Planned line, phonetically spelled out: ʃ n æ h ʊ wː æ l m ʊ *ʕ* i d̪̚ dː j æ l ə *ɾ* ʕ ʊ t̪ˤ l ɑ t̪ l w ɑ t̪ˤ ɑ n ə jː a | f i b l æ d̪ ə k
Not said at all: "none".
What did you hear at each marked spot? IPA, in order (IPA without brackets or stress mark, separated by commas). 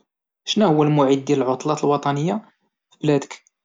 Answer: ʕ, l